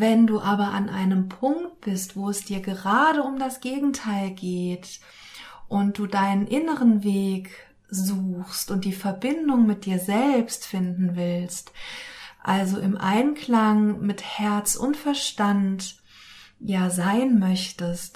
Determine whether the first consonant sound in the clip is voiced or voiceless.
voiced